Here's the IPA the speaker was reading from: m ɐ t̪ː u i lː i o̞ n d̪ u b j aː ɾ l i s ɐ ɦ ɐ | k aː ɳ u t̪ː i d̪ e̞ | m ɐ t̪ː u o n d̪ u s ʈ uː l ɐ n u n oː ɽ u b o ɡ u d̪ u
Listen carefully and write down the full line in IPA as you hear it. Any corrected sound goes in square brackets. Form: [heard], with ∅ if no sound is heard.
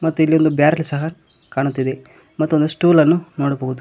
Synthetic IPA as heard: m ɐ t̪ː u i lː i o̞ n d̪ u b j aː ɾ l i s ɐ ɦ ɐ | k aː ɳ u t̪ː i d̪ e̞ | m ɐ t̪ː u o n d̪ u s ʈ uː l ɐ [nː] u n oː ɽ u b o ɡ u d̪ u